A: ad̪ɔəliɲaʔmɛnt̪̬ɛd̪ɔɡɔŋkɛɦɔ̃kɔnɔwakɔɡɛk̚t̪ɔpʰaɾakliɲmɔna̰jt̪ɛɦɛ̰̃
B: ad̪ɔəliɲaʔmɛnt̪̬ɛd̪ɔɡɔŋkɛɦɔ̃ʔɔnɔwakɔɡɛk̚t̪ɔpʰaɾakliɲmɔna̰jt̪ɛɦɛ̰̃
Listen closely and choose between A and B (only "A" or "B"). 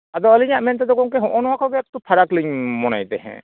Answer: B